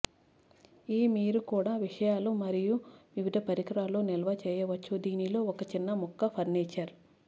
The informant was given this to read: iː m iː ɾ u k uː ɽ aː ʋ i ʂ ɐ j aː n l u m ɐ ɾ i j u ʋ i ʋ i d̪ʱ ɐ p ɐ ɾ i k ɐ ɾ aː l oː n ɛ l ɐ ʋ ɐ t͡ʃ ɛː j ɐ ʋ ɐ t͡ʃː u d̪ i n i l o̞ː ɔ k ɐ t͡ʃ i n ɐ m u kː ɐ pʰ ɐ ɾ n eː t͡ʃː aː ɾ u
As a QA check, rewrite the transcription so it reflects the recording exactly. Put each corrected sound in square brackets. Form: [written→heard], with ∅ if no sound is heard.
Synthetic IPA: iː m iː ɾ u k uː ɽ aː ʋ i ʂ ɐ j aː [n→∅] l u m ɐ ɾ i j u ʋ i ʋ i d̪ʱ ɐ p ɐ ɾ i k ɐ ɾ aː l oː n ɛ l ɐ ʋ ɐ t͡ʃ ɛː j ɐ ʋ ɐ t͡ʃː u d̪ [i→iː] n i l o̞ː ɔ k ɐ t͡ʃ i [n→nː] ɐ m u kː ɐ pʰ ɐ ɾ n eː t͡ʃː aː ɾ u